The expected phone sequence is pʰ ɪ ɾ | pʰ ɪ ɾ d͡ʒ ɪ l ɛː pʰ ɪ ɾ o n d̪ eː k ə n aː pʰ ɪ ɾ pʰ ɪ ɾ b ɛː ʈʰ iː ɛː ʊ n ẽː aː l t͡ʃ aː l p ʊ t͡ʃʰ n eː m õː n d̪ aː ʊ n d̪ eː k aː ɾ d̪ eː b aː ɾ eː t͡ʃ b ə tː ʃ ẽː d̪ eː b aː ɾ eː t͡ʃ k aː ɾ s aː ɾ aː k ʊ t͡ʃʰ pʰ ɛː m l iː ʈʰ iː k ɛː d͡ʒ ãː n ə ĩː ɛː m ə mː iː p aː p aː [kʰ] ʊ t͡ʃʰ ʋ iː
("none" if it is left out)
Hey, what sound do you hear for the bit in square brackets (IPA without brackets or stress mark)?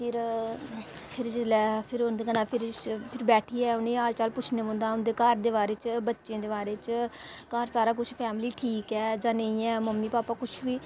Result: k